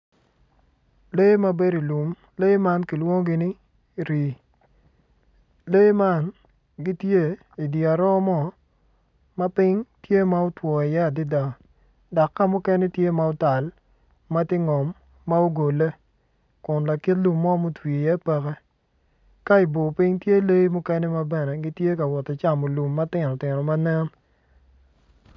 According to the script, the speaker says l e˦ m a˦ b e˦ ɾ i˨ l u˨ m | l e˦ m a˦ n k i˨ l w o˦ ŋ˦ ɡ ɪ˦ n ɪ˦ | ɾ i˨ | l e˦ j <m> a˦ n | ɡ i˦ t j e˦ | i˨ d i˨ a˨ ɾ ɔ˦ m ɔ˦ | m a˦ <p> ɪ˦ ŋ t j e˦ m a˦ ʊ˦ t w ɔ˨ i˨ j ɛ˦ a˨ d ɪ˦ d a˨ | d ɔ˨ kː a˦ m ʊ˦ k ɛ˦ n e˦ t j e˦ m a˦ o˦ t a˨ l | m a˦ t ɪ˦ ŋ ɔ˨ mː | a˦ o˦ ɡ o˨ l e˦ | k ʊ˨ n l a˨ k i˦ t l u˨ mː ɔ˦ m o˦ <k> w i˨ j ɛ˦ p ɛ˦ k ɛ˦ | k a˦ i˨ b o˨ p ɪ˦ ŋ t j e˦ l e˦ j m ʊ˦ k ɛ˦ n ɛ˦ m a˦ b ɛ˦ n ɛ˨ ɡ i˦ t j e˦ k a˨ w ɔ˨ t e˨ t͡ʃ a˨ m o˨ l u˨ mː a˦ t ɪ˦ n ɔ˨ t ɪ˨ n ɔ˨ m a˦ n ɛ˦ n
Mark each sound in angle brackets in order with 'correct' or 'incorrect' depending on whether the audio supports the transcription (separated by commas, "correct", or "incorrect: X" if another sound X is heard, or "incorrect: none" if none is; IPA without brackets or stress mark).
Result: correct, correct, incorrect: t